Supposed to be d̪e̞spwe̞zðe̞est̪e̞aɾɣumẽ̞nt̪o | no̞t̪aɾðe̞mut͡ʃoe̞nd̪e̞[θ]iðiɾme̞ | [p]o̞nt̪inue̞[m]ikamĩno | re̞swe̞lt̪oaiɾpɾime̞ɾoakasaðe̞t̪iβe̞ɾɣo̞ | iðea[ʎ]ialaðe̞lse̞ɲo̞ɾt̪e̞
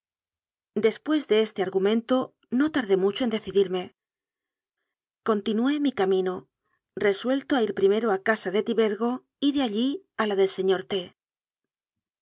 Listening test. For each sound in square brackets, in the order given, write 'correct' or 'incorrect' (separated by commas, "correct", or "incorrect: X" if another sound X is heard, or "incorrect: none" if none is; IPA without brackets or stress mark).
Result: correct, incorrect: k, correct, correct